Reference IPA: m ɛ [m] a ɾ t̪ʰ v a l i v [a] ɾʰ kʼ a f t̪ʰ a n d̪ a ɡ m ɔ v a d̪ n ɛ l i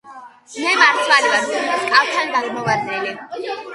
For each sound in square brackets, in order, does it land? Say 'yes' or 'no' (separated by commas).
yes, yes